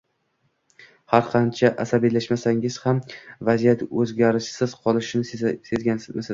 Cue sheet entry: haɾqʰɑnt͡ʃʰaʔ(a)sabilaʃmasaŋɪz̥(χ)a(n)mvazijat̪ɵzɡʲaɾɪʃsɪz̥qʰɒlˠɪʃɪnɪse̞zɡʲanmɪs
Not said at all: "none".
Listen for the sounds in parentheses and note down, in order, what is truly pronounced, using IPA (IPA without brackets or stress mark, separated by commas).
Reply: a, h, none